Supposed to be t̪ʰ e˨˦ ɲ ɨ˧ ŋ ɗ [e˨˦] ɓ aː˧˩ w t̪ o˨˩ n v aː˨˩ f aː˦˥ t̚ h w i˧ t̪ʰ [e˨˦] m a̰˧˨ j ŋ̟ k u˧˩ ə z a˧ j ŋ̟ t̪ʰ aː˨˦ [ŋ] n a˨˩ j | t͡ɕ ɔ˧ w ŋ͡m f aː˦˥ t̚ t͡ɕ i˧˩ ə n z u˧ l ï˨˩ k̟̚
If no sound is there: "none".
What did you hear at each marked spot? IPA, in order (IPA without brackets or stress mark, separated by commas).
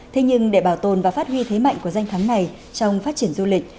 e˧˩, e˨˦, ŋ